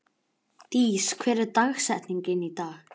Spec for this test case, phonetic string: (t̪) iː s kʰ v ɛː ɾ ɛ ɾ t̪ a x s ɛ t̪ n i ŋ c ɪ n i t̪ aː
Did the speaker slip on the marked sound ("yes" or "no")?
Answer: no